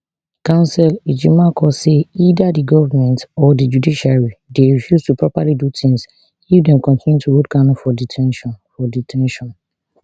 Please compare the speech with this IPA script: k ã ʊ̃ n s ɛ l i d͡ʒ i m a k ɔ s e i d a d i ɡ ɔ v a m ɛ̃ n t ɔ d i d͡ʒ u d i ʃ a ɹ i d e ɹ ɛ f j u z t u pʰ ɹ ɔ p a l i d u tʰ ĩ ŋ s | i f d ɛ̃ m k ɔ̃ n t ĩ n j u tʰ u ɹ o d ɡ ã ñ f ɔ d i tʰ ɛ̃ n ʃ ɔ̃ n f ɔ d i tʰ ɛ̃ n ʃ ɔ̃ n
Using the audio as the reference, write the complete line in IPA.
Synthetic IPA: k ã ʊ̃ n s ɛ l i d͡ʒ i m a k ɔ s e i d a d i ɡ ɔ v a m ɛ̃ n t ɔ d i d͡ʒ u d i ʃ a ɹ i d e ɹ i f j u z t u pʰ ɹ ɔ p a l i d u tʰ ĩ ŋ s | i f d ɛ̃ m k ɔ̃ n t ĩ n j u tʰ u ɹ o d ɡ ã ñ f ɔ d i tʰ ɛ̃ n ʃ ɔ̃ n f ɔ d i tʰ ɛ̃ n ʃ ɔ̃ n